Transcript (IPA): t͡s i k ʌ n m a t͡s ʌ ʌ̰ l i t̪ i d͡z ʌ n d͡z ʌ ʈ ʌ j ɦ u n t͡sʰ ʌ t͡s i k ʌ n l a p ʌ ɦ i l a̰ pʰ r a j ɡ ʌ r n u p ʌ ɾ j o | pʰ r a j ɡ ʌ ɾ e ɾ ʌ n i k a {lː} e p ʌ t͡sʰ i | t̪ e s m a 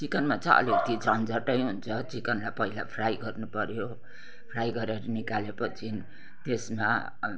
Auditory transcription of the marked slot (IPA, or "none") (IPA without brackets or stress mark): l